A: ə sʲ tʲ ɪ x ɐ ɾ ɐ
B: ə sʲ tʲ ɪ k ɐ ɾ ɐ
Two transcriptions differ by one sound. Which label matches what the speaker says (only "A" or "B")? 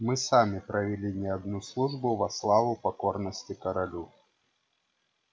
B